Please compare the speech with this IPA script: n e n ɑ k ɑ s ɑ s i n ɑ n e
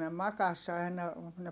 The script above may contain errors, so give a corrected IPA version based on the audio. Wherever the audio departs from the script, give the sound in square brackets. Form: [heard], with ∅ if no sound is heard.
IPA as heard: n e [m] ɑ k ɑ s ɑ [∅] i n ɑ n e